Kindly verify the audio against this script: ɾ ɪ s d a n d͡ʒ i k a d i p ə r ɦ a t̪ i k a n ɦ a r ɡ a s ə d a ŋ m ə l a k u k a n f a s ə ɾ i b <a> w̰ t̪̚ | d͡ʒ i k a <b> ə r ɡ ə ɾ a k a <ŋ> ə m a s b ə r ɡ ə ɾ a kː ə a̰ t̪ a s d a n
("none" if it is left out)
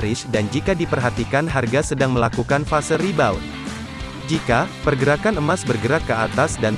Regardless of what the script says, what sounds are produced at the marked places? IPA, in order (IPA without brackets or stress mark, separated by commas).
a, p, n